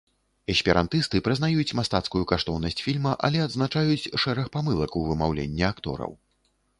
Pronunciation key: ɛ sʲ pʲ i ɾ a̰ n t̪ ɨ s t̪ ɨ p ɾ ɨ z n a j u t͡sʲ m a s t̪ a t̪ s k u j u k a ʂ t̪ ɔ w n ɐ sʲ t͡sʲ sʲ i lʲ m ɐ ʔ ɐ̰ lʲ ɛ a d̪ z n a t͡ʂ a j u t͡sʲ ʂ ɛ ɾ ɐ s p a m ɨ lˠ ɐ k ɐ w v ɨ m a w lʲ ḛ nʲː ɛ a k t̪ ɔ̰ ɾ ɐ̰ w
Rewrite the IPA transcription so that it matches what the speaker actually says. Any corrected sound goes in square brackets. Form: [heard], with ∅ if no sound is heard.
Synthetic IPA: ɛ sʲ pʲ i ɾ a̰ n t̪ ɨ s t̪ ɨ p ɾ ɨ z n a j u t͡sʲ m a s t̪ a t̪ s k u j u k a ʂ t̪ ɔ w n ɐ sʲ t͡sʲ [fʲ] i lʲ m ɐ ʔ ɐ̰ lʲ ɛ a d̪ z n a t͡ʂ a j u t͡sʲ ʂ ɛ ɾ ɐ [x] p a m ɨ lˠ ɐ k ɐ w v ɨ m a w lʲ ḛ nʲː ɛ a k t̪ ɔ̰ ɾ ɐ̰ w